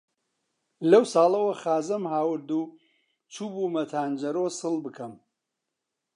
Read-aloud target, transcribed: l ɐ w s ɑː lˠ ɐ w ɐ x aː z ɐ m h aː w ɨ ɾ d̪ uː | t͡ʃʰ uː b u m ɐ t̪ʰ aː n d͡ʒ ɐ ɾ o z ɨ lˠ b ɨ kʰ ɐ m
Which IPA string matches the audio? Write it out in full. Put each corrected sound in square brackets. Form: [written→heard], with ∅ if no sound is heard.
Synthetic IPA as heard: l ɐ w s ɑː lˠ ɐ w ɐ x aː z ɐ m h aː w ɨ ɾ d̪ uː | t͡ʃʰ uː b u m ɐ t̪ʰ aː n d͡ʒ ɐ ɾ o [z→s] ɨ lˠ b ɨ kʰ ɐ m

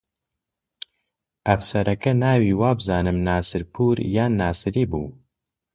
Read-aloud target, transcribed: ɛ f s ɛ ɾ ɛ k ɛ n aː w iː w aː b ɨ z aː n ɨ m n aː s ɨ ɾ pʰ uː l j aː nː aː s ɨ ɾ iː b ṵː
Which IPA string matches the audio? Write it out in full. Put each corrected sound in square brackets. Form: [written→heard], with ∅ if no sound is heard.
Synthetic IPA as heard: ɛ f s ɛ ɾ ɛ k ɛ n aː w iː w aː b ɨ z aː n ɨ m n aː s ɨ ɾ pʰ uː [l→ɾ] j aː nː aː s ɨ ɾ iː b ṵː

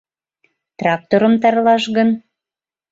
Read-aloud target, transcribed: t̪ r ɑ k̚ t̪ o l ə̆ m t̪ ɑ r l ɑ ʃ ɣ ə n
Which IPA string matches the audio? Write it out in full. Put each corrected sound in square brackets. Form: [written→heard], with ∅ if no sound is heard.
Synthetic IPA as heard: t̪ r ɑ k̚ t̪ o [l→ɾ] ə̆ m t̪ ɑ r l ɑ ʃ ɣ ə n

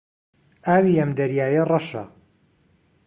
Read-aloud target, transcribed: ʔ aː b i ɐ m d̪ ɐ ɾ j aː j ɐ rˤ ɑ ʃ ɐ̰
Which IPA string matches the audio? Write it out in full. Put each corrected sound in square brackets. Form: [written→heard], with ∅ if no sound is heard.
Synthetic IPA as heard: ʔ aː [b→w] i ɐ m d̪ ɐ ɾ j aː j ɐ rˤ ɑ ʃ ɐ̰

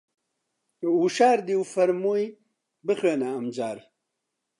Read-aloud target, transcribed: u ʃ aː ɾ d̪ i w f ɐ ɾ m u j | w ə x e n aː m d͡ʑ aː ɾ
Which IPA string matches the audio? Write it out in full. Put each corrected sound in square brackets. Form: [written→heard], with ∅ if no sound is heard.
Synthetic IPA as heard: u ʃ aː ɾ d̪ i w f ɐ ɾ m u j | [w→b] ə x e n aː m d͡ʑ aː ɾ

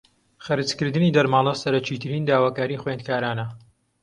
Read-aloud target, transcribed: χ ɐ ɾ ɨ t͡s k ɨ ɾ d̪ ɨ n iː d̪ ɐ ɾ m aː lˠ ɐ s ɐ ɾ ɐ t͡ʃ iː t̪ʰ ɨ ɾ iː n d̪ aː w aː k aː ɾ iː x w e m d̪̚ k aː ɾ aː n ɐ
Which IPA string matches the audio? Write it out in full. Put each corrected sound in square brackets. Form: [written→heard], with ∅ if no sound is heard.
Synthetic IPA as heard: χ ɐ ɾ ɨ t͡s k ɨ ɾ d̪ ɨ n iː d̪ ɐ ɾ m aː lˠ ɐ s ɐ ɾ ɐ t͡ʃ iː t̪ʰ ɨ ɾ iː n d̪ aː w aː k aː ɾ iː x w e [m→n] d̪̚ k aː ɾ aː n ɐ

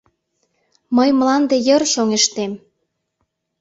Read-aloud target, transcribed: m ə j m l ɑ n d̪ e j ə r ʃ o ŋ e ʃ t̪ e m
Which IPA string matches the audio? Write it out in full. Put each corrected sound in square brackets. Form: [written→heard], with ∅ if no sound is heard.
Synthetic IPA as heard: m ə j m l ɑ n d̪ e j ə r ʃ o ŋ e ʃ t̪ e m

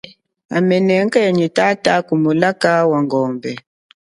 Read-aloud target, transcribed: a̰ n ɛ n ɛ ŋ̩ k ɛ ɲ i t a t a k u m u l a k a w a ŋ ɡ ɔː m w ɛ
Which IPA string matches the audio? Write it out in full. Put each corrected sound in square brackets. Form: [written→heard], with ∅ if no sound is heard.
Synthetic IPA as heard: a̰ [n→m] ɛ n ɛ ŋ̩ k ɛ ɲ i t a t a k u m u l a k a w a ŋ ɡ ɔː m [w→b] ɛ

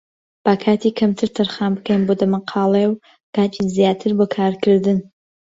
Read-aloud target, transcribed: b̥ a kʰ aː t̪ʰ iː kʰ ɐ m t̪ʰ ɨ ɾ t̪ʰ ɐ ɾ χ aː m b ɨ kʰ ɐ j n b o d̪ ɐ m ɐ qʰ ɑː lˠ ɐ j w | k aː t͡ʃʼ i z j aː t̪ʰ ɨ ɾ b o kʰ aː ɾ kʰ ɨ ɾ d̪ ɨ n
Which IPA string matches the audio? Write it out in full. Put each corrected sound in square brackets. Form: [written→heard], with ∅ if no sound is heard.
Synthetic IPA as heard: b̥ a kʰ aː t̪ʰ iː kʰ ɐ m t̪ʰ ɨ ɾ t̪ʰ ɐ ɾ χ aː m b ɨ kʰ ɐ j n b o d̪ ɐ m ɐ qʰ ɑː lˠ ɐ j w | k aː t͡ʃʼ i z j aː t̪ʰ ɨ ɾ b o kʰ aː ɾ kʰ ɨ ɾ d̪ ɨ n

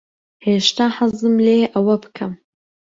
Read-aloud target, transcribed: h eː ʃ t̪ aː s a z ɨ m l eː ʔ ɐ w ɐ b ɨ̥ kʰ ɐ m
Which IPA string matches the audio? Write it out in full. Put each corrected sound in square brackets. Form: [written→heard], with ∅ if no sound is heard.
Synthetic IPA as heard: h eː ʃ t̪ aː [s→ħ] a z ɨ m l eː ʔ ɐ w ɐ b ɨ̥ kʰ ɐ m

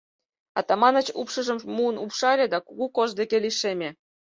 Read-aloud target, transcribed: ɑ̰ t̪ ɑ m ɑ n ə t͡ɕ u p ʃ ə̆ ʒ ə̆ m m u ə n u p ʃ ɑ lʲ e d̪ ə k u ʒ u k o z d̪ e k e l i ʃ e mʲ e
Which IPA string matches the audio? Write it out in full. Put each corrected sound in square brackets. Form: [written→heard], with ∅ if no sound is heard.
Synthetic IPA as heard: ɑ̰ t̪ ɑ m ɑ n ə t͡ɕ u p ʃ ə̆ ʒ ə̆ m m u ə n u p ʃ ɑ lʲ e d̪ [ə→ɑ] k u [ʒ→ɣ] u k o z d̪ e k e l i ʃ e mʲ e

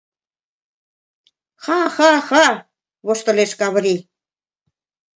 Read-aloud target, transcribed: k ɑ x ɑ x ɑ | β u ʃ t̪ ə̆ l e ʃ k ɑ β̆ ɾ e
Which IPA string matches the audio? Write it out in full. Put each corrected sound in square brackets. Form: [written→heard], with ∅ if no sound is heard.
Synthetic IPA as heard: [k→x] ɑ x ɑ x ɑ | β [u→o] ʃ t̪ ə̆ l e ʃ k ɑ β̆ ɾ [e→i]

